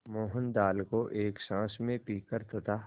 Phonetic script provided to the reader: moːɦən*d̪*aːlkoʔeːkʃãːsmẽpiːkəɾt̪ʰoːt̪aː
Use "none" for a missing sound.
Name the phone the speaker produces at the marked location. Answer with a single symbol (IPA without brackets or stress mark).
d̪